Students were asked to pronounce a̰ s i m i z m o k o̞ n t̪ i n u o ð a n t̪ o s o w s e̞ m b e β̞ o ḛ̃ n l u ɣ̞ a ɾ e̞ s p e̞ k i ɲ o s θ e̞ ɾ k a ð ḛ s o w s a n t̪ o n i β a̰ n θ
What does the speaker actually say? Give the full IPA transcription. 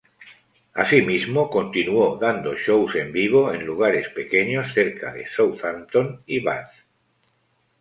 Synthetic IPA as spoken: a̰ s i m i z m o k o̞ n t̪ i n u o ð a n d̪ o ʃ o w s e̞ m b i β̞ o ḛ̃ n l u ɣ̞ a ɾ e̞ s p e̞ k e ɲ o s θ e̞ ɾ k a ð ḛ s o w θ a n t̪ o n i β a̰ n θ